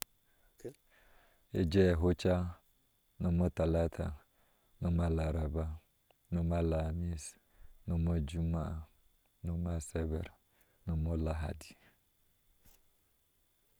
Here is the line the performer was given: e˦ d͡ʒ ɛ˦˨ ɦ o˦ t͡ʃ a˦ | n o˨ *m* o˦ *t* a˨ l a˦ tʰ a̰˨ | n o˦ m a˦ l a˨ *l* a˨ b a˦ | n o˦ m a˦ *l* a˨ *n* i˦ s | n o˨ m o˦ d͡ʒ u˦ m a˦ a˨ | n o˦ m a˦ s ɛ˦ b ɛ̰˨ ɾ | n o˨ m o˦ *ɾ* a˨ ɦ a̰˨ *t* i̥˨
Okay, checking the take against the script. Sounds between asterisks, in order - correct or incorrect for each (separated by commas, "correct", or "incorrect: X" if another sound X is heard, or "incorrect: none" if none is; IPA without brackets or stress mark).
correct, correct, incorrect: ɾ, correct, incorrect: m, incorrect: l, incorrect: d